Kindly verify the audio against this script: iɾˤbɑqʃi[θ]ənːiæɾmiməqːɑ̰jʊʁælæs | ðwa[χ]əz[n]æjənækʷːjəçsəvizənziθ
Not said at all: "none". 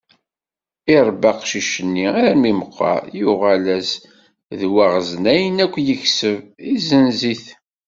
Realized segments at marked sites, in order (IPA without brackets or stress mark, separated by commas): ʃ, ʁ, n